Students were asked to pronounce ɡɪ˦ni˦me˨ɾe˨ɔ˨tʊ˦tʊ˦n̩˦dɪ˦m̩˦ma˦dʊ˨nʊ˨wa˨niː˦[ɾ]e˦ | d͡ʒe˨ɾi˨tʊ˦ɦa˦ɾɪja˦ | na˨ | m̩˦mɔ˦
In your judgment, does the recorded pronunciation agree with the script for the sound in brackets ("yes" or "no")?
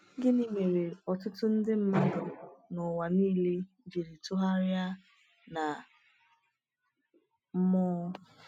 no